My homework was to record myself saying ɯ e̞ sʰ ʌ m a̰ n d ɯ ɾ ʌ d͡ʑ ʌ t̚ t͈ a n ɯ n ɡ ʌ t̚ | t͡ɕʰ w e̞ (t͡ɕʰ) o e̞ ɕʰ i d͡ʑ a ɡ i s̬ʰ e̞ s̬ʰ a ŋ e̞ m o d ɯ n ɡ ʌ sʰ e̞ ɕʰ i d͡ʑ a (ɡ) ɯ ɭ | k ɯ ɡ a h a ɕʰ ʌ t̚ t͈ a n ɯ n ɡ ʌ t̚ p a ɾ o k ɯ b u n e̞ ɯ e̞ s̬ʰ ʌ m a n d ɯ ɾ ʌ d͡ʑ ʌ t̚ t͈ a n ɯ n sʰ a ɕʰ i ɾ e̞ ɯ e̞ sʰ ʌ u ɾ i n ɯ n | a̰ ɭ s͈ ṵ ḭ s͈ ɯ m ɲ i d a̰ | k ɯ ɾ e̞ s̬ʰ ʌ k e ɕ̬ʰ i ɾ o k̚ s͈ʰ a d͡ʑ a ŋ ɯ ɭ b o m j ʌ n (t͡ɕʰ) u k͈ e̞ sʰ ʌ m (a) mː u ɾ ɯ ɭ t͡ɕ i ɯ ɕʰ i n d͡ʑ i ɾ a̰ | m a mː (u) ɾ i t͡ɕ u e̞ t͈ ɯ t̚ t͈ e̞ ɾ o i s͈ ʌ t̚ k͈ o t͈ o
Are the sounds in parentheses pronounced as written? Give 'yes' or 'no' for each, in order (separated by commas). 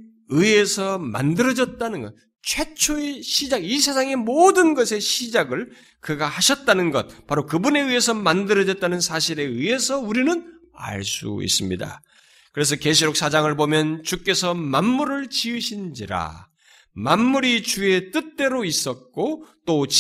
yes, yes, no, yes, yes